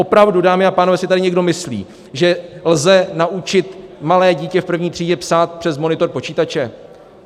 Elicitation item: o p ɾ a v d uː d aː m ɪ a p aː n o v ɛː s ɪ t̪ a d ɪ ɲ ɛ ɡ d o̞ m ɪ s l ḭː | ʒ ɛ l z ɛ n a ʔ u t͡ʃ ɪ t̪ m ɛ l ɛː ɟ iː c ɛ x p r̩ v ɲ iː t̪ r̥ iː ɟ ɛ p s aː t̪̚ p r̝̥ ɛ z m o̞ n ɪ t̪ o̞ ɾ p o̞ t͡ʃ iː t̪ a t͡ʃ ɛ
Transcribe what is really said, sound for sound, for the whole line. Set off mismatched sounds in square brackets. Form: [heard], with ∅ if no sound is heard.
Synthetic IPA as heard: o p ɾ a v d [u] d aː m ɪ a p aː n o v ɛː s ɪ t̪ a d ɪ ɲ ɛ ɡ d o̞ m ɪ s l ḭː | ʒ ɛ l z ɛ n a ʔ u t͡ʃ ɪ t̪ m [a] l ɛː ɟ iː c ɛ [f] p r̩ v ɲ iː t̪ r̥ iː ɟ ɛ p s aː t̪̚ p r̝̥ ɛ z m o̞ n ɪ t̪ o̞ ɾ p o̞ t͡ʃ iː t̪ a t͡ʃ ɛ